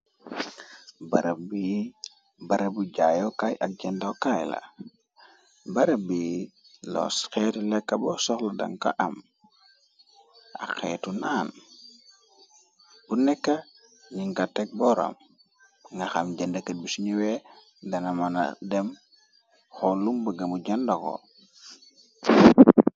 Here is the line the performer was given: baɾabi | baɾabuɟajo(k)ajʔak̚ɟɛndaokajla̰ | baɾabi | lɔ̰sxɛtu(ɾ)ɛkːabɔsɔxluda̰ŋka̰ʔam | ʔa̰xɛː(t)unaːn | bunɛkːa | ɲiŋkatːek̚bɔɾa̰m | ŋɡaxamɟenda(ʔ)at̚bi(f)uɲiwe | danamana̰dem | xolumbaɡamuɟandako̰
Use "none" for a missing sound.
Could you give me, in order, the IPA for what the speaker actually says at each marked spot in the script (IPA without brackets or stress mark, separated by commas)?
k, l, t, k, s